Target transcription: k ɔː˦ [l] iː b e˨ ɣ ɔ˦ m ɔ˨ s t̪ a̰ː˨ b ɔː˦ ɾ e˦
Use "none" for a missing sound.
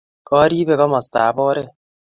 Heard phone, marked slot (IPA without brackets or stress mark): ɾ